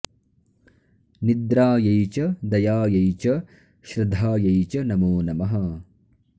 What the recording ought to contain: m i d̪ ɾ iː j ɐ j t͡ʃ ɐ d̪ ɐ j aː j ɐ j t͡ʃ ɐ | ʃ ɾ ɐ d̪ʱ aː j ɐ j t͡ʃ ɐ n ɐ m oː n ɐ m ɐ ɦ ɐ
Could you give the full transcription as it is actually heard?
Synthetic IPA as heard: n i d̪ ɾ aː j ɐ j t͡ʃ ɐ d̪ ɐ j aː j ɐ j t͡ʃ ɐ | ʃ ɾ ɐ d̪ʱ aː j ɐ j t͡ʃ ɐ n ɐ m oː n ɐ m ɐ ɦ ɐ